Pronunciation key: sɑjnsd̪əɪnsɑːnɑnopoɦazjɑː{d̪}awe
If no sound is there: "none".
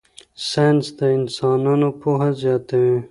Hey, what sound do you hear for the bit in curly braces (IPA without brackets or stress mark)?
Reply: t̪